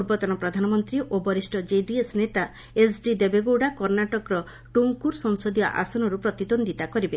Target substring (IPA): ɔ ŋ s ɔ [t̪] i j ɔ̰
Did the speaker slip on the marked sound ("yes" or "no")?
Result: yes